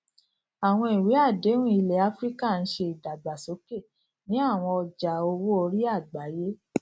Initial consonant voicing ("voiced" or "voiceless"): voiced